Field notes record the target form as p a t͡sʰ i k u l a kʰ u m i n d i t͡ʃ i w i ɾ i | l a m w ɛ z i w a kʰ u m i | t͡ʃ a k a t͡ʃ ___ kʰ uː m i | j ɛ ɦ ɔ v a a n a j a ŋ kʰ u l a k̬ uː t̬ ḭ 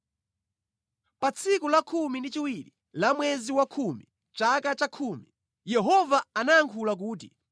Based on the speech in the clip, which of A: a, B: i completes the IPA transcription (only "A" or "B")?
A